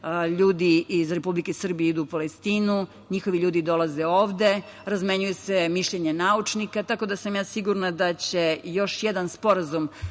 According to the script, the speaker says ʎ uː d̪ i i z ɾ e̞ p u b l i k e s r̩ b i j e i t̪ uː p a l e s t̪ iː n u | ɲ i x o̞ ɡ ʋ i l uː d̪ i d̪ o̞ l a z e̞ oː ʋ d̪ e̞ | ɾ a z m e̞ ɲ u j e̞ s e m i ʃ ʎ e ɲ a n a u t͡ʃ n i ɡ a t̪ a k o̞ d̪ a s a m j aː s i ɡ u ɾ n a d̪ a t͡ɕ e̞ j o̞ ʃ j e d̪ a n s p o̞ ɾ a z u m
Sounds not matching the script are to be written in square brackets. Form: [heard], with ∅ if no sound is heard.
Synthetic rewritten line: ʎ uː d̪ i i z ɾ e̞ p u b l i k e s r̩ b i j e i [d̪] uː p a l e s t̪ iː n u | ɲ i x o̞ [∅] ʋ i [ʎ] uː d̪ i d̪ o̞ l a z e̞ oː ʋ d̪ e̞ | ɾ a z m e̞ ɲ u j e̞ s e m i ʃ ʎ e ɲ [e] n a u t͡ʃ n i [k] a t̪ a k o̞ d̪ a s a m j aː s i ɡ u ɾ n a d̪ a t͡ɕ e̞ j o̞ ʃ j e d̪ a n s p o̞ ɾ a z u m